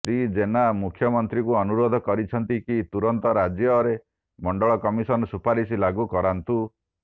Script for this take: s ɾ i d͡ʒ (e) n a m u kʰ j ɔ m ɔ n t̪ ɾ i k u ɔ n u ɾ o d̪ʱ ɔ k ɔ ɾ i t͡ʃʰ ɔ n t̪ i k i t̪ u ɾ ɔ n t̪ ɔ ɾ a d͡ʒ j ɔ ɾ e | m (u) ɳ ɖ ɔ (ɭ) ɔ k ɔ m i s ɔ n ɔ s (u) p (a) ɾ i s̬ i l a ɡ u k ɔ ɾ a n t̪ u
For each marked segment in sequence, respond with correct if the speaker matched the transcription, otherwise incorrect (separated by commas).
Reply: correct, incorrect, correct, correct, correct